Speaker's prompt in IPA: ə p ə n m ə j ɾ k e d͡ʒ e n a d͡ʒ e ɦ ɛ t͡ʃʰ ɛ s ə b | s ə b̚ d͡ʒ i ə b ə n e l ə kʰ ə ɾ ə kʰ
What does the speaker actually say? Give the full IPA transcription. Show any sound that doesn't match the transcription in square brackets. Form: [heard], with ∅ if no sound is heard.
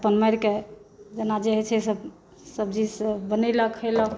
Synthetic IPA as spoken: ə p ə n m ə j ɾ k e d͡ʒ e n a d͡ʒ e ɦ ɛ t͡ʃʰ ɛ s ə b | s ə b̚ d͡ʒ i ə b ə n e l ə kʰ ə [l] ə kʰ